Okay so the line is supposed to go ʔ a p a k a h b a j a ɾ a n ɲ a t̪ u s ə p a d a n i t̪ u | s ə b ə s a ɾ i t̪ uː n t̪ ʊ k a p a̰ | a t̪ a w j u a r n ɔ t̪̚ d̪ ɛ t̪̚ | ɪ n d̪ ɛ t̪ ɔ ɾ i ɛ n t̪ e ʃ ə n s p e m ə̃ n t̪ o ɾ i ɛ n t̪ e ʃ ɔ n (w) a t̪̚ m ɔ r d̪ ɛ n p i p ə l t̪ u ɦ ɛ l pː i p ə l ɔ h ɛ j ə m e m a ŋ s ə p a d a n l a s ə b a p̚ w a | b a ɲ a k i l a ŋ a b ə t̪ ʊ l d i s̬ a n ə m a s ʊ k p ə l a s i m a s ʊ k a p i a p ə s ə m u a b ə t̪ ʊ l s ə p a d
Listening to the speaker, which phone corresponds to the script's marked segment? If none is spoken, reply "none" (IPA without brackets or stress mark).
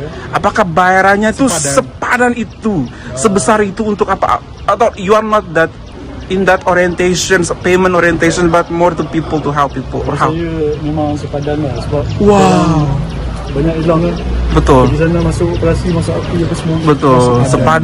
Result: b